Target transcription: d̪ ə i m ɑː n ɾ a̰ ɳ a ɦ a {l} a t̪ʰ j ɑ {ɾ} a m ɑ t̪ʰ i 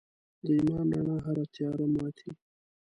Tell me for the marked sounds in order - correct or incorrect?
incorrect: ɾ, correct

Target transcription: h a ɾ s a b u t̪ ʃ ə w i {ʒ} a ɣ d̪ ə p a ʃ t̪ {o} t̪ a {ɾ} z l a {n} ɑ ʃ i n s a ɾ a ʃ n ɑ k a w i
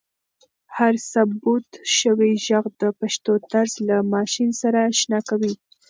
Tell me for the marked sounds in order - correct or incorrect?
correct, correct, correct, incorrect: m

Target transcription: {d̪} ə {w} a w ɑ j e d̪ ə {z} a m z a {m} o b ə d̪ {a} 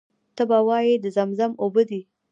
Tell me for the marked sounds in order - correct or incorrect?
incorrect: t̪, incorrect: b, correct, correct, incorrect: i

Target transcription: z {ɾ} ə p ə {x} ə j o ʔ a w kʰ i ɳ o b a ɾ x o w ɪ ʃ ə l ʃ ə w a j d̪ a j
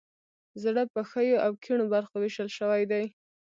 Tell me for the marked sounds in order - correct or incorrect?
incorrect: ɽ, correct

